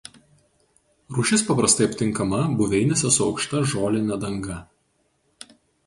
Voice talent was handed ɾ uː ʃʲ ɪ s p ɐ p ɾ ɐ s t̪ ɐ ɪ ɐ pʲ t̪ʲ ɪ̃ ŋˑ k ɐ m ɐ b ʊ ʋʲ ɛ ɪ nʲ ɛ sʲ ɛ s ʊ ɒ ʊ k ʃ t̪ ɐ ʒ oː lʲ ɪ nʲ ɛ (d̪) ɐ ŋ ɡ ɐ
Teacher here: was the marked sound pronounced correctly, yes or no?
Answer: yes